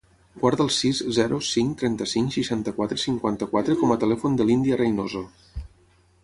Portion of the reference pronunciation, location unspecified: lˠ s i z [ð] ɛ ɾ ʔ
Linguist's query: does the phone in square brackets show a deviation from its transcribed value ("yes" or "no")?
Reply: yes